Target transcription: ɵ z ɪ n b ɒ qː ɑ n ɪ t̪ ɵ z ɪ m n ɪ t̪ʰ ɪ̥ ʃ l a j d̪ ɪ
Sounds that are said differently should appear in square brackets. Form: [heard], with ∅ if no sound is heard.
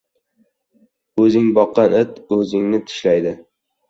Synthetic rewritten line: ɵ z ɪ [ŋ] b ɒ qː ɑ n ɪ t̪ ɵ z ɪ [ŋ] n ɪ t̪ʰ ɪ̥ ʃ l a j d̪ ɪ